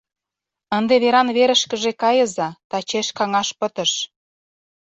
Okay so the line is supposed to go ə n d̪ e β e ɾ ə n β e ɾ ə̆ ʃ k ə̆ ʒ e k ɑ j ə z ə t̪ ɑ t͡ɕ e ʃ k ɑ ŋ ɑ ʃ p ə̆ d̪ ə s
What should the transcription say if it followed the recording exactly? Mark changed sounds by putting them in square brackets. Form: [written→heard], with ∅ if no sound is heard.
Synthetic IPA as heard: ə n d̪ e β e ɾ [ə→ɑ] n β e ɾ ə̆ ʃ k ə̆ ʒ e k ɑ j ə z [ə→ɑ] t̪ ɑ t͡ɕ e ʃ k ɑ ŋ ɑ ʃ p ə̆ [d̪→t̪] ə [s→ʃ]